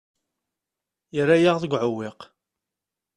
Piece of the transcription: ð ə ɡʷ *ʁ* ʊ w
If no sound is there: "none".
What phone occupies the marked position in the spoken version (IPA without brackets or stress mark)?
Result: ʕ